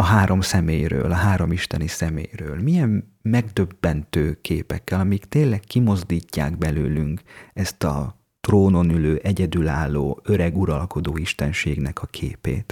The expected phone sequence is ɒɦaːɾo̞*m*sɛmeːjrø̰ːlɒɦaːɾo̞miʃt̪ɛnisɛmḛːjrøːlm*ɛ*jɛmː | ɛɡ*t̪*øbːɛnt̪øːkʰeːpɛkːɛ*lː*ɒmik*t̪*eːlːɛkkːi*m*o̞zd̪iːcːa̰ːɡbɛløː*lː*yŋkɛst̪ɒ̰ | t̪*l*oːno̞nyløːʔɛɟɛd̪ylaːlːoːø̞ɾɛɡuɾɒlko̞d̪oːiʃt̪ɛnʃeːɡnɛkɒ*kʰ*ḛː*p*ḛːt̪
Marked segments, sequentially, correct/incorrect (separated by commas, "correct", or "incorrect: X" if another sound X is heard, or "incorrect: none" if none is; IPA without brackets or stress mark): correct, incorrect: i, incorrect: d̪, incorrect: l, correct, correct, incorrect: l, incorrect: r, correct, correct